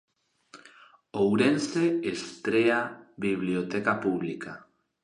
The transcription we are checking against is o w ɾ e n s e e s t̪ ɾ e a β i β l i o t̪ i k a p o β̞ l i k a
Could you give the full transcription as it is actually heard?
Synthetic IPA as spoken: o w ɾ e n s e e s t̪ ɾ e a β i β l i o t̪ e k a p u β̞ l i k a